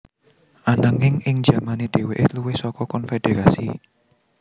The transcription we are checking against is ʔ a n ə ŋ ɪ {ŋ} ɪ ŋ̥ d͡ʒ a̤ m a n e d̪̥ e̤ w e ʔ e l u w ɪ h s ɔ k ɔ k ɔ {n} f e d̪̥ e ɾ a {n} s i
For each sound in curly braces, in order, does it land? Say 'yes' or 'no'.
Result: yes, yes, no

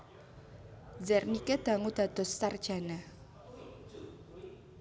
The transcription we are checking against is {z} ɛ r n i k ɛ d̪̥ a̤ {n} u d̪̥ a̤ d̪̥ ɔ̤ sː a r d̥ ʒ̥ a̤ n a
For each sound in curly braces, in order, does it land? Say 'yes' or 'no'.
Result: yes, no

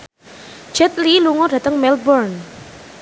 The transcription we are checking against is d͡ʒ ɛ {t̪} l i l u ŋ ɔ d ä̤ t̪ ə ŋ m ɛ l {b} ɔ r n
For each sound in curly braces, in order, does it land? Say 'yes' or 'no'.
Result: yes, yes

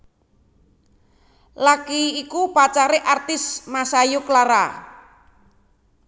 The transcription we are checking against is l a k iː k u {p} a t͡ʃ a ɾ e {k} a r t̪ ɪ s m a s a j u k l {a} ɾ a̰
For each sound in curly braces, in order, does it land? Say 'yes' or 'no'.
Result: yes, no, yes

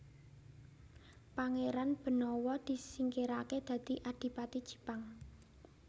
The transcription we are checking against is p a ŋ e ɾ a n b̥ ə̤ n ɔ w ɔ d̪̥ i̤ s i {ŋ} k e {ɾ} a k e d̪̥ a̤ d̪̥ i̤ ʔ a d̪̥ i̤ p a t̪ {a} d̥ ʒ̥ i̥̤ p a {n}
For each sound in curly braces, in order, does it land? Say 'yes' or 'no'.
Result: yes, yes, no, no

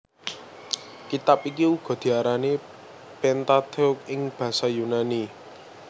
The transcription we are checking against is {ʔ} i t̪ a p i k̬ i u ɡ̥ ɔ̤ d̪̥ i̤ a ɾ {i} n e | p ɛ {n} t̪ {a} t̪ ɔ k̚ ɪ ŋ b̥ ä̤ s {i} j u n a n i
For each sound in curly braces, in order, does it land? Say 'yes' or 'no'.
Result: no, no, yes, yes, no

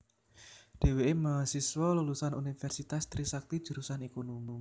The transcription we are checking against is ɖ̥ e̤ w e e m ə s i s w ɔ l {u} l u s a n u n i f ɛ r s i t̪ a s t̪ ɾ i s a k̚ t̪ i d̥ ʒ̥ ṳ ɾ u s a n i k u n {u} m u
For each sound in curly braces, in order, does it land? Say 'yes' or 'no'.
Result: yes, yes

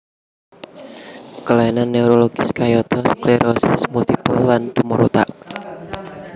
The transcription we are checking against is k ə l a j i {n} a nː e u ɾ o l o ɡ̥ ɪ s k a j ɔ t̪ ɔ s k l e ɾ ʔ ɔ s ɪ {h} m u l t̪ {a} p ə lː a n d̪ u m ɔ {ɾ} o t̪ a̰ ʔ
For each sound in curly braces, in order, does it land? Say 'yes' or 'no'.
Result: yes, no, no, yes

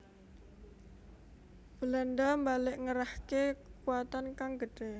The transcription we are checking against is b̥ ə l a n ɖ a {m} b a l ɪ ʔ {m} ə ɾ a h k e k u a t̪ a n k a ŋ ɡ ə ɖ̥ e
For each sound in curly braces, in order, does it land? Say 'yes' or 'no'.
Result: yes, no

